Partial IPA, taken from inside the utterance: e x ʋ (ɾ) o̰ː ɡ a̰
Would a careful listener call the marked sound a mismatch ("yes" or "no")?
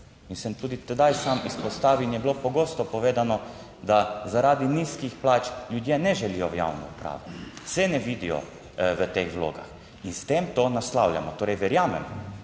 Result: yes